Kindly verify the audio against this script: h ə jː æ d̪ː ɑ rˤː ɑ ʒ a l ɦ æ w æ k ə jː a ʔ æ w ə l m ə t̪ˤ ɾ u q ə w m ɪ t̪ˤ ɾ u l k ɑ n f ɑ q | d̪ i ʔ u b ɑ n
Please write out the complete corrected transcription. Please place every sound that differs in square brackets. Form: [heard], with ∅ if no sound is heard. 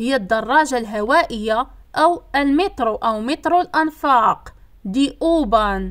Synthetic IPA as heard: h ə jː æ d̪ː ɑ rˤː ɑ ʒ a l ɦ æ w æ [ʔ] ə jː a ʔ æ w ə l m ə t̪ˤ ɾ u [ʔ] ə w m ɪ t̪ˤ ɾ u l [ʔ] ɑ n f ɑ q | d̪ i ʔ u b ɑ n